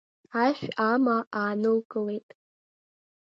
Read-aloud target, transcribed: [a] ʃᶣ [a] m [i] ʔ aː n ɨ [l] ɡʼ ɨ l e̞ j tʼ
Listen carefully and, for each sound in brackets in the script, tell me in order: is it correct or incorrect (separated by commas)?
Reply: correct, correct, incorrect, correct